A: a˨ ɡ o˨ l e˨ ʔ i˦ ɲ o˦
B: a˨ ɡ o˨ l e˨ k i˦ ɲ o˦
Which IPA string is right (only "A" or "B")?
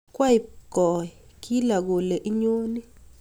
A